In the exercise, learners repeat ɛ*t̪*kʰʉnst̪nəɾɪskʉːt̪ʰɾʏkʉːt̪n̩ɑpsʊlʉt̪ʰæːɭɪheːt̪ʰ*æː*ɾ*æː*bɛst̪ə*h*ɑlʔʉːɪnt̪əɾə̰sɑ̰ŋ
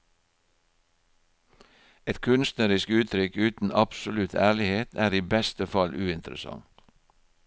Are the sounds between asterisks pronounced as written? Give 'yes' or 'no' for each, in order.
yes, yes, no, no

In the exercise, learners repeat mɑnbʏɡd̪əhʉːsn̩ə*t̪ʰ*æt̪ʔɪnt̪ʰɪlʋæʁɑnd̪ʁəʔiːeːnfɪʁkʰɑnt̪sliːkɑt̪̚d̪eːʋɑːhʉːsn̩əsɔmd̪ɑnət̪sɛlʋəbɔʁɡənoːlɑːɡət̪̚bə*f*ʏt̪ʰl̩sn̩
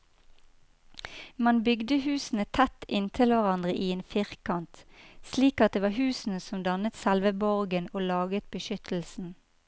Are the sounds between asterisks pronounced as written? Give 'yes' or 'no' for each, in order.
yes, no

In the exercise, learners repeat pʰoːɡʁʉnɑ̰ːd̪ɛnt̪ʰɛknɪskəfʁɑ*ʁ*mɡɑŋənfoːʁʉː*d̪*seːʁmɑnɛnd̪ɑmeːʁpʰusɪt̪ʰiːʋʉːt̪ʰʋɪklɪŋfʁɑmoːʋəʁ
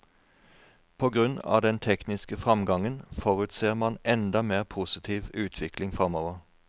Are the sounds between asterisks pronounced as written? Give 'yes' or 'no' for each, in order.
no, no

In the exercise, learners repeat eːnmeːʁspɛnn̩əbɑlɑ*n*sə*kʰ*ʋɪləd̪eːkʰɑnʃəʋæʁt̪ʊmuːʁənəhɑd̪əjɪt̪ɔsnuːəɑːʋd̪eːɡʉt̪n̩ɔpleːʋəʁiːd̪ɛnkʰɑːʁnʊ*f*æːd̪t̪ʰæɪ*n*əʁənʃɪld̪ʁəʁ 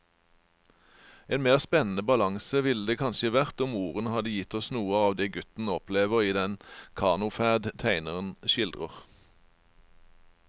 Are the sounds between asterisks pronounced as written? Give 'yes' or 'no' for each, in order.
no, no, yes, yes

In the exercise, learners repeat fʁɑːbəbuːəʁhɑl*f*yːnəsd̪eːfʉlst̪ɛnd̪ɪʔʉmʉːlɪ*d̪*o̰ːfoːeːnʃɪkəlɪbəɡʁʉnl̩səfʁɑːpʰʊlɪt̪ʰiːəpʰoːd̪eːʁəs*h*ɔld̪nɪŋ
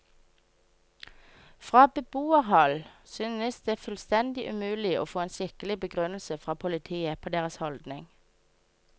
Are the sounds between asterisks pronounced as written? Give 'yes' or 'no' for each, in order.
no, no, yes

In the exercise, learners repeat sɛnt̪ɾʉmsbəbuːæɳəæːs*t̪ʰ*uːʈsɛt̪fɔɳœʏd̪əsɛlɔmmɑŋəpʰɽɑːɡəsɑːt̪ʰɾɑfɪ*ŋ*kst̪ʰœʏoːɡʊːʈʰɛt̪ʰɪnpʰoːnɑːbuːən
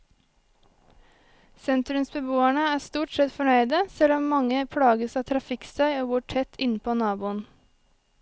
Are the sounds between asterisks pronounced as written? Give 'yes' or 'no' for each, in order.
no, no

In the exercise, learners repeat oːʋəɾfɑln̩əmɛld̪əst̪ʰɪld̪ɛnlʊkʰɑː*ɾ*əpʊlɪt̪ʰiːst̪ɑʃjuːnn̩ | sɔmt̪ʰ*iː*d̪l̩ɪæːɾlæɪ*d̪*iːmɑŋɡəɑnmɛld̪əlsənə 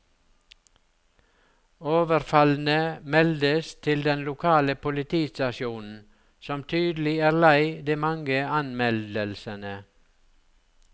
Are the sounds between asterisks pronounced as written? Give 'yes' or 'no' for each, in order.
no, no, yes

